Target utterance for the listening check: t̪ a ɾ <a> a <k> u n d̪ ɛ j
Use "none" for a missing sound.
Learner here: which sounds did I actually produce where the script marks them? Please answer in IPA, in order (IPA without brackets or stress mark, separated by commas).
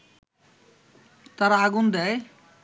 a, ɡ